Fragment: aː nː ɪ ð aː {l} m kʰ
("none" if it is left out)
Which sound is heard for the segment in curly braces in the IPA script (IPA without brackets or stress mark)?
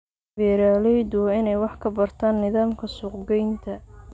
none